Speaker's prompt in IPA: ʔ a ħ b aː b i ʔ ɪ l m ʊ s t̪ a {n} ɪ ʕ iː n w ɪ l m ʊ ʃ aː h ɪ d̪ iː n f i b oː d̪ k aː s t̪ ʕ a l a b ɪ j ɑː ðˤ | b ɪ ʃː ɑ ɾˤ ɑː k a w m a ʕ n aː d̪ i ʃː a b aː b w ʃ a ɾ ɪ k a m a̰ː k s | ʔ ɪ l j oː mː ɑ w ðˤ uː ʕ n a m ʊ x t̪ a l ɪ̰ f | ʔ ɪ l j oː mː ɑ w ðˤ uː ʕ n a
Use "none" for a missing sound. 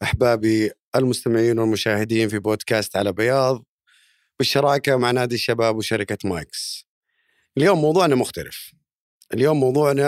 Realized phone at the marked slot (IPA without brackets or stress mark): m